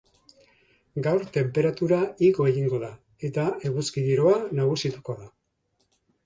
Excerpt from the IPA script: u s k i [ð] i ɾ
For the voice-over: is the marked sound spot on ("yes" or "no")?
yes